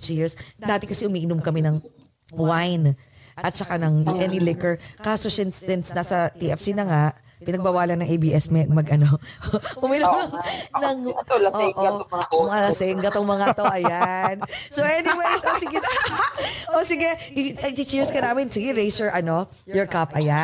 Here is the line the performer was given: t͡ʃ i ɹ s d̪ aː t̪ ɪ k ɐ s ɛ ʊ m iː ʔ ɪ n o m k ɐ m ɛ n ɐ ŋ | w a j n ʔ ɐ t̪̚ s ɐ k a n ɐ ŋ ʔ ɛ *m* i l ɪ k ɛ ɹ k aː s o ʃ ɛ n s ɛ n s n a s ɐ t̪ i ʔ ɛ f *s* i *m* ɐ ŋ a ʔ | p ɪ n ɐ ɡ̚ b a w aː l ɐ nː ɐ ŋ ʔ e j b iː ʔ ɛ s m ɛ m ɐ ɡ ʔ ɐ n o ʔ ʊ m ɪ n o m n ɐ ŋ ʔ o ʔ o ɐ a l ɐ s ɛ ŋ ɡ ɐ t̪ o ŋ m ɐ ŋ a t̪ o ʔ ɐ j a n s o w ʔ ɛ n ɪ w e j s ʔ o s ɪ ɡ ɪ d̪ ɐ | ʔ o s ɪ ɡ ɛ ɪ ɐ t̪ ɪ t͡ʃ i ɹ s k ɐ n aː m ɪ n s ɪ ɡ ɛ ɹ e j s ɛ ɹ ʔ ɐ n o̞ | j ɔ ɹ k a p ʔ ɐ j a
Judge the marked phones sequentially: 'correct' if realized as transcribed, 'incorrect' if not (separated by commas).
incorrect, correct, incorrect